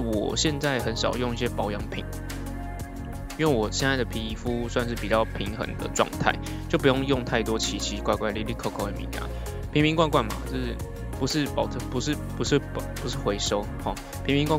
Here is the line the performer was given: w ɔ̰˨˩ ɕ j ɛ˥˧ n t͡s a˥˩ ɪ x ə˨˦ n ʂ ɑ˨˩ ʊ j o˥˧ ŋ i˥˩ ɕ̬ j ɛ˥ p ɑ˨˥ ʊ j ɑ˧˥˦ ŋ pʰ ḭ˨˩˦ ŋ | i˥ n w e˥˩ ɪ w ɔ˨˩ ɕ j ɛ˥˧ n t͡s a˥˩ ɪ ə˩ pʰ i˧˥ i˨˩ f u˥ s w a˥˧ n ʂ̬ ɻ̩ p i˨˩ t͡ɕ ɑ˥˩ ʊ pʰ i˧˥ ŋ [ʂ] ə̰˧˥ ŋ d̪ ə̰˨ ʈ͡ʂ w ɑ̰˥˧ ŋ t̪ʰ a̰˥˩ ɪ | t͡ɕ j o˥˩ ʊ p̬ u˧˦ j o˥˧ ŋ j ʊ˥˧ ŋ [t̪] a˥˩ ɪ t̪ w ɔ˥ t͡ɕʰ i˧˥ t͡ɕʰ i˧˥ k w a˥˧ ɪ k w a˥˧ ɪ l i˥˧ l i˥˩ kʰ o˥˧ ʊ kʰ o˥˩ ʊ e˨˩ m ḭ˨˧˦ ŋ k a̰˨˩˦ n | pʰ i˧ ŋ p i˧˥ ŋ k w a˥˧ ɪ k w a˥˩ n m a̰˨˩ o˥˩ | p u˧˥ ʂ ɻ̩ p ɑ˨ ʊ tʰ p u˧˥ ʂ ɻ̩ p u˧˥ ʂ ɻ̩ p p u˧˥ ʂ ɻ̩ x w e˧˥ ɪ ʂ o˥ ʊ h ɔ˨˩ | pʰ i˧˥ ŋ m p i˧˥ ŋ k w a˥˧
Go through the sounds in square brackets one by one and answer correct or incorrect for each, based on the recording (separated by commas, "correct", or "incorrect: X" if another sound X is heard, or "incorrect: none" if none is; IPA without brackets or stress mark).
incorrect: x, incorrect: t̪ʰ